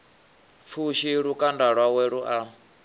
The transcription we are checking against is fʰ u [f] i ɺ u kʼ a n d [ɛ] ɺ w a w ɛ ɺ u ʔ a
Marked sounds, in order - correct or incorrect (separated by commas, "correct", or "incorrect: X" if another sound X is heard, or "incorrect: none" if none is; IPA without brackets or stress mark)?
incorrect: ʃ, incorrect: a